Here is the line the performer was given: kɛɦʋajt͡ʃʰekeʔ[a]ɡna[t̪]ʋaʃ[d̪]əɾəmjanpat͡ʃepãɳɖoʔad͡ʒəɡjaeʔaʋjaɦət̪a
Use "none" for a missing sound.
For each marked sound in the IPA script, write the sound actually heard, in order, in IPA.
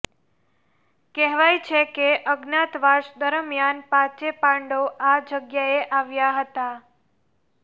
ə, t̪, d̪

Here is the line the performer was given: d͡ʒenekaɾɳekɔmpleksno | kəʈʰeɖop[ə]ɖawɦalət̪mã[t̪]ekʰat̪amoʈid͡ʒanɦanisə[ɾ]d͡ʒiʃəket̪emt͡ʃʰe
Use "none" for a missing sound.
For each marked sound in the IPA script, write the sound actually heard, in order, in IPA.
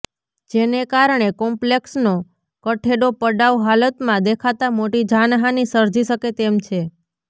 ə, d̪, ɾ

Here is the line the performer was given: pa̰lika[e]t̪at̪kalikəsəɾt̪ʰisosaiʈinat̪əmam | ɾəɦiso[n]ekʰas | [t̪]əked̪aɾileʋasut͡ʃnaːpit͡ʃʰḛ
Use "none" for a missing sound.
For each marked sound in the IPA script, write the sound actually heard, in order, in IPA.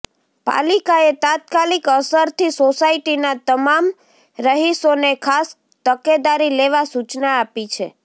e, n, t̪

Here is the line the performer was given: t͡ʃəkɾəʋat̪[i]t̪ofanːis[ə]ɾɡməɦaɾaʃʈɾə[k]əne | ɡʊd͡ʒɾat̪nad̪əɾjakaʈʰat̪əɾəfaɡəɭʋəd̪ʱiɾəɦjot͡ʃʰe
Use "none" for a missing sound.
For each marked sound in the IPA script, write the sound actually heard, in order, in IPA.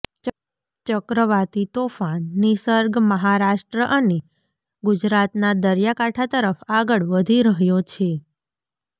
i, ə, ʔ

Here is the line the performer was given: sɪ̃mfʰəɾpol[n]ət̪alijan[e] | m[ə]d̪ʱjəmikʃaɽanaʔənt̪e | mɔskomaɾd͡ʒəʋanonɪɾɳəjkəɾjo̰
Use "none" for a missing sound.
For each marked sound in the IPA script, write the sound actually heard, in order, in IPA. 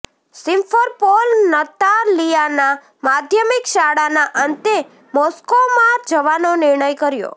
n, a, a

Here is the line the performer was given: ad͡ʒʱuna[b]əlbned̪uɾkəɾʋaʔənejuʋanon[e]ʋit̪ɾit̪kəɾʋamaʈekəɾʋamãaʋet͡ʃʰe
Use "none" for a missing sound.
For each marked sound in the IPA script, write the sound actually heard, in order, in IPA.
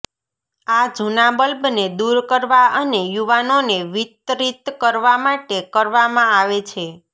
b, e

